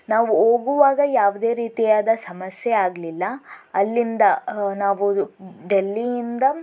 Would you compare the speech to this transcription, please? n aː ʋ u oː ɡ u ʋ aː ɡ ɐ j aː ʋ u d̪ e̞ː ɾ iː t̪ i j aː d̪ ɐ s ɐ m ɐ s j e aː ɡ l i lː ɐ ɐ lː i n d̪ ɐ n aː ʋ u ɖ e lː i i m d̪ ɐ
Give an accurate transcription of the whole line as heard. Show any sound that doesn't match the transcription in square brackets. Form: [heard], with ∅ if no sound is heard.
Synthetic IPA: n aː ʋ u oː ɡ u ʋ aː ɡ ɐ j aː ʋ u d̪ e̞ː ɾ iː t̪ i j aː d̪ ɐ s ɐ m ɐ s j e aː ɡ l i lː ɐ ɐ lː i n d̪ ɐ n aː ʋ u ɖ e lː i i [n] d̪ ɐ